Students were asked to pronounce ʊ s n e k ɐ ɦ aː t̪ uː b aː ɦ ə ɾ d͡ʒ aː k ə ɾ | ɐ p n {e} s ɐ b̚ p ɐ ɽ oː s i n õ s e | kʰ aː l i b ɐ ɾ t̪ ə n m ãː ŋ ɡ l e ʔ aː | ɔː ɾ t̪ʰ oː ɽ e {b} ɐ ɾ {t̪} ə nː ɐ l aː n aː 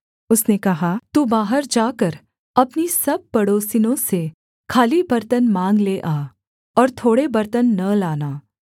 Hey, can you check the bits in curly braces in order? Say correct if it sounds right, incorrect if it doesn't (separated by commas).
incorrect, correct, correct